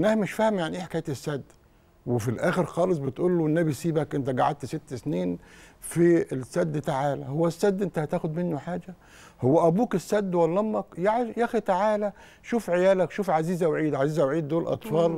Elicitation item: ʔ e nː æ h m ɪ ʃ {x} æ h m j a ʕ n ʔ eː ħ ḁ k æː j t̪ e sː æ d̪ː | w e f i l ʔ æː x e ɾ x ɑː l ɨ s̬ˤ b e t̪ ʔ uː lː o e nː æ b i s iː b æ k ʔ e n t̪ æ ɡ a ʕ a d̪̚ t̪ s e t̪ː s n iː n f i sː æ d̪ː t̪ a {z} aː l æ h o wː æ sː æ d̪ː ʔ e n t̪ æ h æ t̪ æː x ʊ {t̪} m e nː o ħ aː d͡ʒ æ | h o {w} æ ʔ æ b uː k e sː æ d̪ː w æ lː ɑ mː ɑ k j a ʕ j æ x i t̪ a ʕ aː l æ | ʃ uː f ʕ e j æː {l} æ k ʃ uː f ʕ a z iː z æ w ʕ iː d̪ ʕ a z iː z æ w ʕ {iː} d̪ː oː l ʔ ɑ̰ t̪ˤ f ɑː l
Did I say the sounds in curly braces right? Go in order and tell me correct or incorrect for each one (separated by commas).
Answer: incorrect, incorrect, incorrect, incorrect, correct, correct